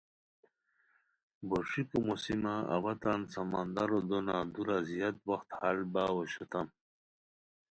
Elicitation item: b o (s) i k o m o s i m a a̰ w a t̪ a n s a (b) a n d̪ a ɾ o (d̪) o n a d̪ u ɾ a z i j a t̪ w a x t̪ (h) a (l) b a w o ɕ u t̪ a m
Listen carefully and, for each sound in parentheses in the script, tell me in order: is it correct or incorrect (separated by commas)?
incorrect, incorrect, correct, correct, correct